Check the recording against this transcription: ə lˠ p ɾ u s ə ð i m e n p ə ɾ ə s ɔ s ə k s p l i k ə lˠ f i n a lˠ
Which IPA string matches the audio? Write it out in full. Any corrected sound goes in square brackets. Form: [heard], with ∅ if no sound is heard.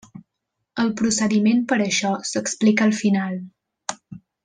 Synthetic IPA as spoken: ə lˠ p ɾ u s ə ð i m e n p ə ɾ ə [ʃ] ɔ s ə k s p l i k ə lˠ f i n a lˠ